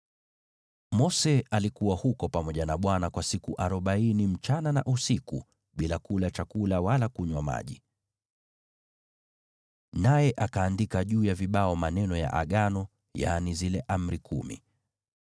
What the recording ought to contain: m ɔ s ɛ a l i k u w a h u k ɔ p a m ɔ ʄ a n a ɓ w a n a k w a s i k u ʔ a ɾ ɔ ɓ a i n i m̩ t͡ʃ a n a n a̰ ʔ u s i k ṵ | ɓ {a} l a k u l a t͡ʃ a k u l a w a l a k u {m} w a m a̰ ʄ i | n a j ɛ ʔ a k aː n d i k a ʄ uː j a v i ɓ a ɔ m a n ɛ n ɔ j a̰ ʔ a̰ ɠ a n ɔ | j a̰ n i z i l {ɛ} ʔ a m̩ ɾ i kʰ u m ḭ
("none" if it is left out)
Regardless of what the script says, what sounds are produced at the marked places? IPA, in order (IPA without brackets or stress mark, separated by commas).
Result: i, ɲ, ɛ